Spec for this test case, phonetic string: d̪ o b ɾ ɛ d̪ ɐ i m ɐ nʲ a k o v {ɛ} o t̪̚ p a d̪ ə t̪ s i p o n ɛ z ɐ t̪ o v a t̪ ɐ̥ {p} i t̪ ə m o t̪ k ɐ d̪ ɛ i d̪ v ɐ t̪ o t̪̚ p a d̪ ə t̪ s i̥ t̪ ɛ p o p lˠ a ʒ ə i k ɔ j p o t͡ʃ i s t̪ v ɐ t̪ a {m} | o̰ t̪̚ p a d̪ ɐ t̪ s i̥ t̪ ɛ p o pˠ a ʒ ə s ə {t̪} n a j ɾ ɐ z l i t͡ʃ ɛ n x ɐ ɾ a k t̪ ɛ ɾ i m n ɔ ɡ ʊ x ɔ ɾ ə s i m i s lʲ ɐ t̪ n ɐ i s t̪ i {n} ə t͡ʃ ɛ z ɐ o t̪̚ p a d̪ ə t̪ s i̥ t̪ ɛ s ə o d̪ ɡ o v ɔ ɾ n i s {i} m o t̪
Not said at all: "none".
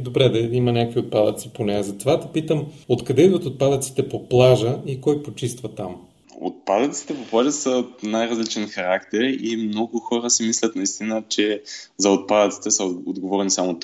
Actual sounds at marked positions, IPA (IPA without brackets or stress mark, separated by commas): i, p, m, t̪, n, a